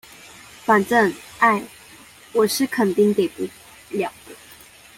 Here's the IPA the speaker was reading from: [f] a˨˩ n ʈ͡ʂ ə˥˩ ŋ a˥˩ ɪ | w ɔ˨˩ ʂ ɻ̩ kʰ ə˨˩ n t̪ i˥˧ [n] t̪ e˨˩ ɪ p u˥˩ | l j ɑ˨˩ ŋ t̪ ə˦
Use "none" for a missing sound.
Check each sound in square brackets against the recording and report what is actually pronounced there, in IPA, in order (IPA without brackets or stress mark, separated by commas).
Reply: f, ŋ